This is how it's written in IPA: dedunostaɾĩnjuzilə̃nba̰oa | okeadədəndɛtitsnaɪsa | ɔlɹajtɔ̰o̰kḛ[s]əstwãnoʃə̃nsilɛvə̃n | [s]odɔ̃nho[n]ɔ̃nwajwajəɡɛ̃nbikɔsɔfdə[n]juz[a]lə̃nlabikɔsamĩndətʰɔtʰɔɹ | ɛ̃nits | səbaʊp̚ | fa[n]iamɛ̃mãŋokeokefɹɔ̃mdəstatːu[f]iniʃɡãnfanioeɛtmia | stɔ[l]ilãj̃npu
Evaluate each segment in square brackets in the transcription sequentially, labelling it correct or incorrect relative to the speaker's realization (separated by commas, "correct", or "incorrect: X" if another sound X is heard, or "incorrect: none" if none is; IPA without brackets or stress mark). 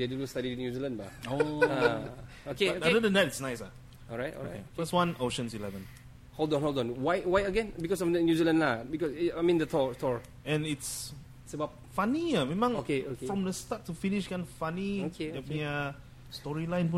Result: incorrect: f, incorrect: h, incorrect: d, correct, incorrect: i, correct, correct, incorrect: ɹ